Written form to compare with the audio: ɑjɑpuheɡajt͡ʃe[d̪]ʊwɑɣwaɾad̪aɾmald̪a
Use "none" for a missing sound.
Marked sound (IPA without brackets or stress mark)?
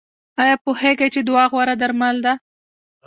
d̪